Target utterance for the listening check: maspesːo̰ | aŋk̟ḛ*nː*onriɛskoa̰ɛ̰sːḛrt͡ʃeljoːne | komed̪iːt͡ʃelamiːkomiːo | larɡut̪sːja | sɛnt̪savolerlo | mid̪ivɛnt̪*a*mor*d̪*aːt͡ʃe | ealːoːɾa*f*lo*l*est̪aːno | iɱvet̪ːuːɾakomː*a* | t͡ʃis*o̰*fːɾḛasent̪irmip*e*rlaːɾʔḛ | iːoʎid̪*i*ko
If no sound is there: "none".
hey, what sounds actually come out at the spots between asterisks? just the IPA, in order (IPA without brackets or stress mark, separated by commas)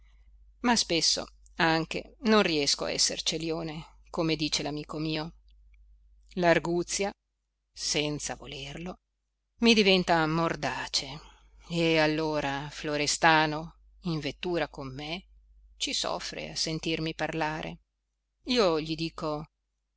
n, a, d̪, f, ɾ, e, ɔ̰, a, iː